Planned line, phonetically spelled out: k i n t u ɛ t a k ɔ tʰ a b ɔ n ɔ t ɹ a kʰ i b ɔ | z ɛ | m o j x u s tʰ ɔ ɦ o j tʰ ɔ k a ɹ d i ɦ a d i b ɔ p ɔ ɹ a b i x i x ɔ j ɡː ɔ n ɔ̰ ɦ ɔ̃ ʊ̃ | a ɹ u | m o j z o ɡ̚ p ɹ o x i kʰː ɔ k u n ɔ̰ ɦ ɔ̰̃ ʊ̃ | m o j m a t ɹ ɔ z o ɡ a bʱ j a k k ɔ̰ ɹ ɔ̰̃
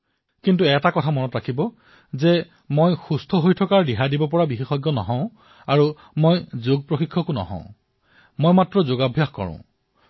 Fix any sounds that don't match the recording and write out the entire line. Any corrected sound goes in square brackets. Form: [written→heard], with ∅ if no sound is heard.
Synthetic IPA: k i n t u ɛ t a k ɔ tʰ a [b→m] ɔ n ɔ t ɹ a kʰ i b ɔ | z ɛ | m o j x u s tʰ ɔ ɦ o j tʰ ɔ k a ɹ d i ɦ a d i b ɔ p ɔ ɹ a b i x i x ɔ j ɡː ɔ n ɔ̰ ɦ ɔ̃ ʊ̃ | a ɹ u | m o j z o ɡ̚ p ɹ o x i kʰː ɔ k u n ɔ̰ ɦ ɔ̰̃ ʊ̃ | m o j m a t ɹ ɔ z o ɡ a bʱ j a [k→x] k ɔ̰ ɹ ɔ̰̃